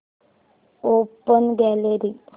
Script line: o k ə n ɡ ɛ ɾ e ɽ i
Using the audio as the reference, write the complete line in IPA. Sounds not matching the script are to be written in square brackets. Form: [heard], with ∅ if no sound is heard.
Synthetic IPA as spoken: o [p] ə n ɡ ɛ [l] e [ɾ] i